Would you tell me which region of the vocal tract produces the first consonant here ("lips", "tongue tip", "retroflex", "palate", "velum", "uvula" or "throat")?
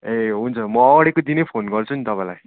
throat